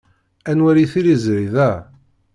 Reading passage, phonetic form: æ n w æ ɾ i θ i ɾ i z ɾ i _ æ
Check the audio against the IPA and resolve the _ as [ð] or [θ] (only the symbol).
ð